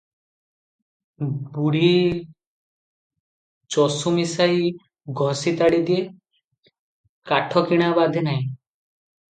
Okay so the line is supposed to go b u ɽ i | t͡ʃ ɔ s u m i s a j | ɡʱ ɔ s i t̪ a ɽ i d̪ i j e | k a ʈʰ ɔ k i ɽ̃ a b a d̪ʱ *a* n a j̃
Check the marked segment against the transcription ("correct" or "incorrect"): incorrect